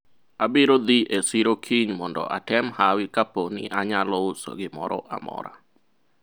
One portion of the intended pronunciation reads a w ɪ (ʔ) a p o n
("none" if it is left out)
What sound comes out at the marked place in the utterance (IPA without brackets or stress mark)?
k